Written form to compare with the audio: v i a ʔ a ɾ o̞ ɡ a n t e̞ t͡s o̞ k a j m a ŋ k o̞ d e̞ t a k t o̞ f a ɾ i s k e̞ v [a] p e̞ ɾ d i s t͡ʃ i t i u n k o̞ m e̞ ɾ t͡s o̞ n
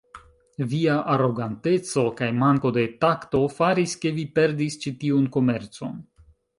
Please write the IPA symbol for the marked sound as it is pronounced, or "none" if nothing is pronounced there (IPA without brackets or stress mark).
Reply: i